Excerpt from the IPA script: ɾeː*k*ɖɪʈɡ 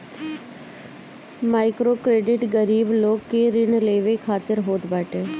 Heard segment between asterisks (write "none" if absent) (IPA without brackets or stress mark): none